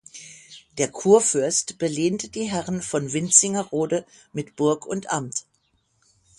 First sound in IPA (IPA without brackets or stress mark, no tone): d̥